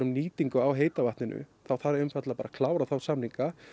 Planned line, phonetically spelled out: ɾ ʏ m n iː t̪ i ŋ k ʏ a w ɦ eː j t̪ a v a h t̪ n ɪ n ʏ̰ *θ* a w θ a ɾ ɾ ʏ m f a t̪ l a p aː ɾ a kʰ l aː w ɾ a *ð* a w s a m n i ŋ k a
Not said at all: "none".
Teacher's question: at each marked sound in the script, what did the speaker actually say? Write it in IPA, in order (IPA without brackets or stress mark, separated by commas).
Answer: θ, θ